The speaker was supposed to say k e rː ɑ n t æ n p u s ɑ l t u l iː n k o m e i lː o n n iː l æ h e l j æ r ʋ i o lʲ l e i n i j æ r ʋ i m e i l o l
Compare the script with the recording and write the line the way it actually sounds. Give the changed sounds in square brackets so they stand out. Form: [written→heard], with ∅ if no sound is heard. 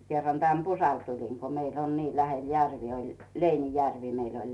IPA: k e rː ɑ n t æ n p u s ɑ l t u l [iː→i] n k o m e i lː o n n iː l æ h e l j æ r ʋ i o lʲ l e i n i j æ r ʋ i m e i l o l